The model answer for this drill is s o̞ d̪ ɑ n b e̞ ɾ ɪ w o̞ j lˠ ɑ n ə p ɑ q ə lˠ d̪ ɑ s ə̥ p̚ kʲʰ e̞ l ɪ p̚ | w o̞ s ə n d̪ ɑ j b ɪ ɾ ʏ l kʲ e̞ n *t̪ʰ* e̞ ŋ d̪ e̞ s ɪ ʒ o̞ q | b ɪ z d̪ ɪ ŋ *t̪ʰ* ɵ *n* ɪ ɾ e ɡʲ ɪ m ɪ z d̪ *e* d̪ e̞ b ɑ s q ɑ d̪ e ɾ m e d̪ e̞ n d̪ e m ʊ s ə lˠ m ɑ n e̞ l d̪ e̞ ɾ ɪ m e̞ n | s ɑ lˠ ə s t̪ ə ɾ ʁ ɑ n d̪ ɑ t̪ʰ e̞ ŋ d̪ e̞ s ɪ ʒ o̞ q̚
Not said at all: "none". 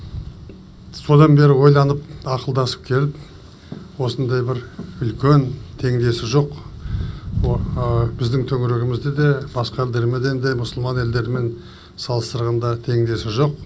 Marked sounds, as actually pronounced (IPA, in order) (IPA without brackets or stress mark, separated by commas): t̪ʰ, t̪ʰ, ŋ, e